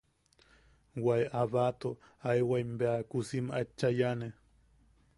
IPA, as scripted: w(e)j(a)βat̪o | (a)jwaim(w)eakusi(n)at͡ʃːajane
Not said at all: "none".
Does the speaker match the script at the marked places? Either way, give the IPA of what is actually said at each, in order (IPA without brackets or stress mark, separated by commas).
a, a, a, b, m